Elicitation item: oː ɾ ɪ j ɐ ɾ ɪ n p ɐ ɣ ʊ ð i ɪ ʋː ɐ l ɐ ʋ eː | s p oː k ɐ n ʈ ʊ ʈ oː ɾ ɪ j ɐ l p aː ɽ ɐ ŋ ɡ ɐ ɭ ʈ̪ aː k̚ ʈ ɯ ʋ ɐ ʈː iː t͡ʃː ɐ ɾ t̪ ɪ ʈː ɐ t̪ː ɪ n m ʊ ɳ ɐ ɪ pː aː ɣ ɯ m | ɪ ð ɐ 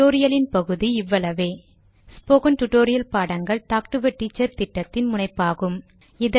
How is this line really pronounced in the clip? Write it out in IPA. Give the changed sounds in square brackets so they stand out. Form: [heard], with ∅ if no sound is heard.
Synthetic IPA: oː ɾ ɪ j ɐ [l] ɪ n p ɐ ɣ [ɯ] ð i ɪ ʋː ɐ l ɐ ʋ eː | s p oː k ɐ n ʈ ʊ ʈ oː ɾ ɪ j ɐ l p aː ɽ ɐ ŋ ɡ ɐ ɭ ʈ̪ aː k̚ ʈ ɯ ʋ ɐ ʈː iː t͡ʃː ɐ ɾ t̪ ɪ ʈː ɐ t̪ː ɪ n m ʊ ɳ ɐ ɪ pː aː ɣ ɯ m | ɪ ð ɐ